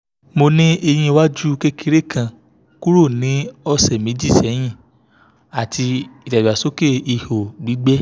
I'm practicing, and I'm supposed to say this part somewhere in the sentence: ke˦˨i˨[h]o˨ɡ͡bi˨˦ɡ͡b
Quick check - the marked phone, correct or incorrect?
correct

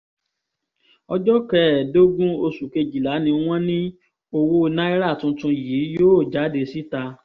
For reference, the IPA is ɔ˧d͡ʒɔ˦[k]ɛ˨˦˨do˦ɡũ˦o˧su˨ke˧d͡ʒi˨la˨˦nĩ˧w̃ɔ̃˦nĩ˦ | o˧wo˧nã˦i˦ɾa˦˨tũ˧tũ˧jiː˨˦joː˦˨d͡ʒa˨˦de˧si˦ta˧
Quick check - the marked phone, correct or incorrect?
correct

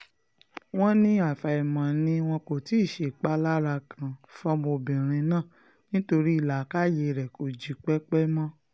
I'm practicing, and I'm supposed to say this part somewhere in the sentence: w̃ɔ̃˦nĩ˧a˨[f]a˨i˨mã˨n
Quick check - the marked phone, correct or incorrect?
correct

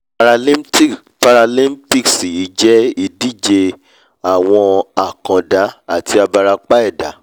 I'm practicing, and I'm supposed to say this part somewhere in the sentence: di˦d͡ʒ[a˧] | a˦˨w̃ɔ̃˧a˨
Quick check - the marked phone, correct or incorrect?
incorrect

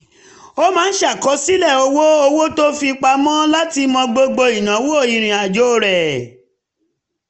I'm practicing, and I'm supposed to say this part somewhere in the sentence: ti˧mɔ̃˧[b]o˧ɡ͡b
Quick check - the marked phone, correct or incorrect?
incorrect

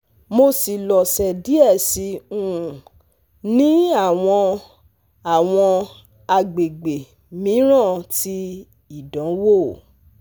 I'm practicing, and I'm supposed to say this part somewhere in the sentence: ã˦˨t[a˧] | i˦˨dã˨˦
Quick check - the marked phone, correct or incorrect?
incorrect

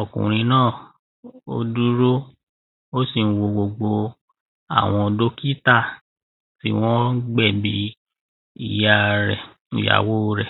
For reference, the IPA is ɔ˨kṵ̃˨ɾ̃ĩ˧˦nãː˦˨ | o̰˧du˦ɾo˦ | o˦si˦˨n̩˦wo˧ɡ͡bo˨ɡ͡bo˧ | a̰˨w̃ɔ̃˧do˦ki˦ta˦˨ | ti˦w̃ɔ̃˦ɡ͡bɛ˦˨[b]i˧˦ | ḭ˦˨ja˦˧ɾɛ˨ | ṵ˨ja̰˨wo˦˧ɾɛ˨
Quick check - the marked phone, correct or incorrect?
correct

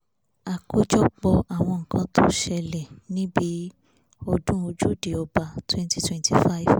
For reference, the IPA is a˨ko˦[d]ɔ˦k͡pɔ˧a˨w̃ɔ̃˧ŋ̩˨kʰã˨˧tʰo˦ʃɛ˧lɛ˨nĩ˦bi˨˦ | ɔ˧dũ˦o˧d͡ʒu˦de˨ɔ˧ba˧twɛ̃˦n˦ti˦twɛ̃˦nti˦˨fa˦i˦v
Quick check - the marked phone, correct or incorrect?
incorrect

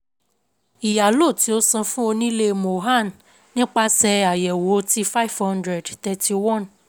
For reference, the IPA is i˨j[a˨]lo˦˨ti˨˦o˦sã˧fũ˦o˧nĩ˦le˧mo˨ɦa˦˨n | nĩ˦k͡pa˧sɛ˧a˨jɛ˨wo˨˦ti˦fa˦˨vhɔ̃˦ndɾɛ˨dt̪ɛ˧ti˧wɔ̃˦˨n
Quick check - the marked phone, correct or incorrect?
correct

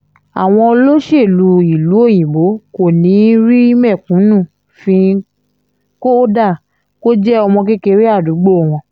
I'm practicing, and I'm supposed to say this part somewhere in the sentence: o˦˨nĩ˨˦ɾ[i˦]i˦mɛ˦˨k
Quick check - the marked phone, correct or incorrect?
correct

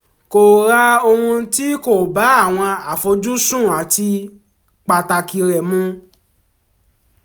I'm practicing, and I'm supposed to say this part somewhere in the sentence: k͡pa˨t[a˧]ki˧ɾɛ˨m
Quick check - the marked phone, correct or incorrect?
correct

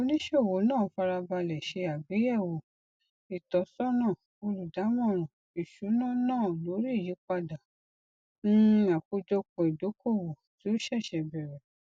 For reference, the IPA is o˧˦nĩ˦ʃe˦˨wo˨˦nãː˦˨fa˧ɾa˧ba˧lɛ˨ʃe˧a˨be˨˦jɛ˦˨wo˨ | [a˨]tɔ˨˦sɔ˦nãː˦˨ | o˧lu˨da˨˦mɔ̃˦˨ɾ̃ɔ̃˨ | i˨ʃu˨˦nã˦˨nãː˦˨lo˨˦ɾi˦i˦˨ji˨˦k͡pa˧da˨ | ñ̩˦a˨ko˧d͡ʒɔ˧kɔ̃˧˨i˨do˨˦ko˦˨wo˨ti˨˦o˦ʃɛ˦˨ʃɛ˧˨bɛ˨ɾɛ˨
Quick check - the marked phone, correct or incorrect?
incorrect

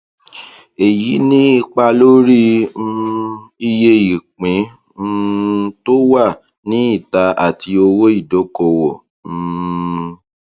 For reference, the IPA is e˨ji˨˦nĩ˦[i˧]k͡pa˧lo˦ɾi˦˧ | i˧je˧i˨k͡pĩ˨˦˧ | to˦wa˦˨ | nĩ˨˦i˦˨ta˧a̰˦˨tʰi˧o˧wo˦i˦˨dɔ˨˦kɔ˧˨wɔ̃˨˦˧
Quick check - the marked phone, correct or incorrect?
correct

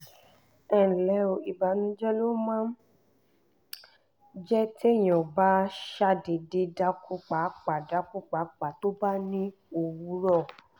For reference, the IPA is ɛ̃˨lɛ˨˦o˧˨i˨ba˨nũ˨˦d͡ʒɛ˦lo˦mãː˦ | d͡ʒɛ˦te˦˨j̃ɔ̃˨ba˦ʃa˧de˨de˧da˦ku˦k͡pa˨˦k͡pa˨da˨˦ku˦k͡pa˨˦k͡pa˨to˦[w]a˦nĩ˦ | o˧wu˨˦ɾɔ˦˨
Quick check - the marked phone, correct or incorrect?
incorrect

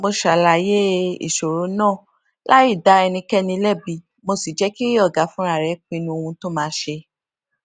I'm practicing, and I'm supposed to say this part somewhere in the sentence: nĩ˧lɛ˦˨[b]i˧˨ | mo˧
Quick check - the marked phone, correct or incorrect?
correct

